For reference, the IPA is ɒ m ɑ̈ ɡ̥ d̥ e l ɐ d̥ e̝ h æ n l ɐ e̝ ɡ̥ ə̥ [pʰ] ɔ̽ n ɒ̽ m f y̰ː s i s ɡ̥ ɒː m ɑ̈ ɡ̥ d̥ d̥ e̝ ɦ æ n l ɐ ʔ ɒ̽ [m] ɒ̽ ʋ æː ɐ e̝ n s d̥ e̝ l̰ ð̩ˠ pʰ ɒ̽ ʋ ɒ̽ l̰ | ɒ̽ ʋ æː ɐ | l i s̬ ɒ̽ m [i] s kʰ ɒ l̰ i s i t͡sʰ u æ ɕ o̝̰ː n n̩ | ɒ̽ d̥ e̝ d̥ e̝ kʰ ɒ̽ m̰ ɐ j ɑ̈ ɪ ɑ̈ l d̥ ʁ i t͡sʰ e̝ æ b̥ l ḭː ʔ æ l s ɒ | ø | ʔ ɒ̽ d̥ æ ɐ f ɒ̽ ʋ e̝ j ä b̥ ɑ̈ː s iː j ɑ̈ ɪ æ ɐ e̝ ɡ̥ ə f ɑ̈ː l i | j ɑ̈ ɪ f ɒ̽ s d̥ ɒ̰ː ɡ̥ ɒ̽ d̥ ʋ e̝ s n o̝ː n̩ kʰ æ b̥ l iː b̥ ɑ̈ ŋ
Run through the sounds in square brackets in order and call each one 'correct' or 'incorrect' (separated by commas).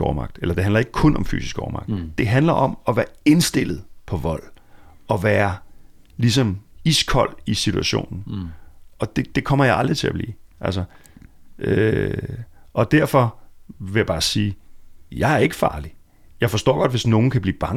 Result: incorrect, correct, correct